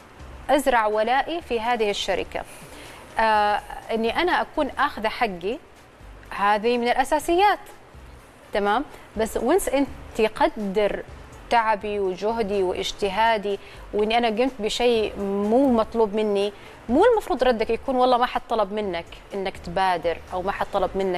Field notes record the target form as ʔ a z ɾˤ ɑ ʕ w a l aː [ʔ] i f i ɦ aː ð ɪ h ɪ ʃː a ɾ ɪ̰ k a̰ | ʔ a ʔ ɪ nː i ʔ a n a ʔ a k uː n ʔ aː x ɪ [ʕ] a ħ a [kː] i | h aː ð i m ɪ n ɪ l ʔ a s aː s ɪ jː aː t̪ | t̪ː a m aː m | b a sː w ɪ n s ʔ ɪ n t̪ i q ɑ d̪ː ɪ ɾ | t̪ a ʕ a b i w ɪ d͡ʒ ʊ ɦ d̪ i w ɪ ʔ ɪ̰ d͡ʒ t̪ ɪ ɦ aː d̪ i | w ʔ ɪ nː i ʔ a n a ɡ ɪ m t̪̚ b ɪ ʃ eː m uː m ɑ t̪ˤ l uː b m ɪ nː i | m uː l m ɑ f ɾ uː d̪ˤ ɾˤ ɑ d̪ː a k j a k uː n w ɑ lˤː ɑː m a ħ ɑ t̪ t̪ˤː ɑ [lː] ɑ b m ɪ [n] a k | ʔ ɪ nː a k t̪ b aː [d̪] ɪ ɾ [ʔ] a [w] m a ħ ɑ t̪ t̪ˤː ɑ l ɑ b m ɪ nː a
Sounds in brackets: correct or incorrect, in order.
correct, incorrect: ð, incorrect: ɡː, incorrect: l, incorrect: nː, correct, correct, correct

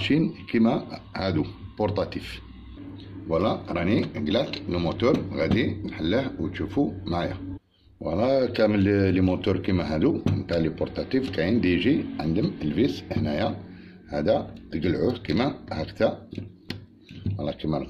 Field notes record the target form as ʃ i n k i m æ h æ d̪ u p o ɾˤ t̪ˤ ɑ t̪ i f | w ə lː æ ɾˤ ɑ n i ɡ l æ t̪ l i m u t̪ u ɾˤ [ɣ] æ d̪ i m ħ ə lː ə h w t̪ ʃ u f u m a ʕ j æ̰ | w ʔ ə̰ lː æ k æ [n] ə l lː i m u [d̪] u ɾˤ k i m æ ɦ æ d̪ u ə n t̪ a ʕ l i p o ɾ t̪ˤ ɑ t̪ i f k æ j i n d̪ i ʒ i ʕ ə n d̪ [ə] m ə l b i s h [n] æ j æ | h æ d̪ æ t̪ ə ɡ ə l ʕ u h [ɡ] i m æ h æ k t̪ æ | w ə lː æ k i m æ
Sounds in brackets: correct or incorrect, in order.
correct, incorrect: m, incorrect: t̪, correct, correct, incorrect: k

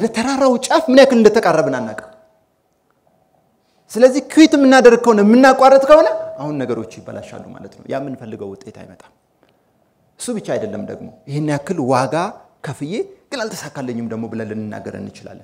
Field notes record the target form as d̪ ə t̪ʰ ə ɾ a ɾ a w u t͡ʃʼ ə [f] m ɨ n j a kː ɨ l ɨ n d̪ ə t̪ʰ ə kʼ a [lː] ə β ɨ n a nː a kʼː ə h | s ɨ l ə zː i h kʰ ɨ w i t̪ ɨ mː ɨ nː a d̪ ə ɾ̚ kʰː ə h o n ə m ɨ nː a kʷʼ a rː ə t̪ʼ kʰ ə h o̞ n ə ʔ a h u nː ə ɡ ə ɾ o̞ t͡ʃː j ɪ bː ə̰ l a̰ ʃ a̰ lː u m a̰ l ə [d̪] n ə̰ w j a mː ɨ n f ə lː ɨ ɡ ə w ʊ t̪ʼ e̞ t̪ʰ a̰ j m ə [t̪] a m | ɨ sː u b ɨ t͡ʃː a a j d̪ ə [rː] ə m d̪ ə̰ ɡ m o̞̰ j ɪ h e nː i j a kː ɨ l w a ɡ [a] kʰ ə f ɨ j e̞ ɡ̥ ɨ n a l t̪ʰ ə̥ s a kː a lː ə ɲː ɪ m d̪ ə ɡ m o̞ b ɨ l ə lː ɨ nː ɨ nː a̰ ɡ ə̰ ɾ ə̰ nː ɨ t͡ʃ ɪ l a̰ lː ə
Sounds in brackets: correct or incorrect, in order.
correct, incorrect: rː, incorrect: t̪, incorrect: t̪ʼ, incorrect: lː, correct

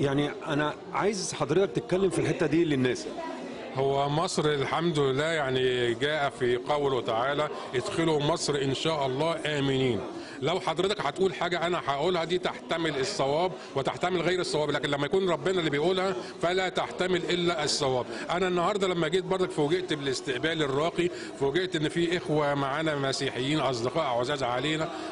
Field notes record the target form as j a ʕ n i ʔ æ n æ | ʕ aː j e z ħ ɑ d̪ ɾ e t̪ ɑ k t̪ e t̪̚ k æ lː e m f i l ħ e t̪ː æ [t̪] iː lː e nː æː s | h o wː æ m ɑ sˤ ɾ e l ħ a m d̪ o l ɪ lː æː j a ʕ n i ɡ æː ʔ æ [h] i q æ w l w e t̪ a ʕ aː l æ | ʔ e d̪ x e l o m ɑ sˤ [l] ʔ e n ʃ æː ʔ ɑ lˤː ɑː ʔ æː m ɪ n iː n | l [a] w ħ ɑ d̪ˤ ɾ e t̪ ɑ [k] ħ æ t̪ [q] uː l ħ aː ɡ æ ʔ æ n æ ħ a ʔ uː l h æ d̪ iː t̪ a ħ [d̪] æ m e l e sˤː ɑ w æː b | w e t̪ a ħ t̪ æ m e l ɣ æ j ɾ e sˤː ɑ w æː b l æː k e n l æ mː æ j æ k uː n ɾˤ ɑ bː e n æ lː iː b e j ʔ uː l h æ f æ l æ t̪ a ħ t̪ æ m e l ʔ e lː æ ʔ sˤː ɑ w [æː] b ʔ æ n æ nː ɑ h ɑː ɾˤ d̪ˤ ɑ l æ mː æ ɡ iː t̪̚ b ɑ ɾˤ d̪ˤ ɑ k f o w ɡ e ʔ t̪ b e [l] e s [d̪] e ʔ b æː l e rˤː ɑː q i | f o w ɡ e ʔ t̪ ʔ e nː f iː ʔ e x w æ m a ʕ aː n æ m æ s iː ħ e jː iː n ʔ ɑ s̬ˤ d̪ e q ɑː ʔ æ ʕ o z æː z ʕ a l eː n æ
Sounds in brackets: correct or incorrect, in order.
incorrect: d̪, incorrect: f, incorrect: ɾ, incorrect: æ, correct, incorrect: ʔ, incorrect: t̪, correct, correct, incorrect: t̪

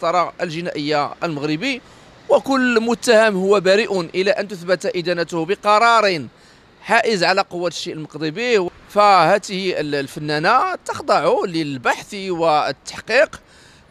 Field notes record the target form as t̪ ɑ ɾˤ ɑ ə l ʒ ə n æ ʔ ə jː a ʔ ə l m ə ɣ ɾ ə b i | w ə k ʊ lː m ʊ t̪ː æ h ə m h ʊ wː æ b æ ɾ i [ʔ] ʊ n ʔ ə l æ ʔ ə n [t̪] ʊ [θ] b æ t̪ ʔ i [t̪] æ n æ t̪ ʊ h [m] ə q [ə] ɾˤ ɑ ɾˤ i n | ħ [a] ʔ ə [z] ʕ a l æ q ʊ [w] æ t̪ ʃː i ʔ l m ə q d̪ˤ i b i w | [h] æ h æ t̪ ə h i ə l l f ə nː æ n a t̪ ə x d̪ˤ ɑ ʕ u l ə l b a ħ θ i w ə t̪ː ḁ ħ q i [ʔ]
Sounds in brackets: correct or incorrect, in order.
correct, correct, correct, incorrect: d̪, incorrect: b, incorrect: ɑ, correct, correct, incorrect: wː, incorrect: f, incorrect: q

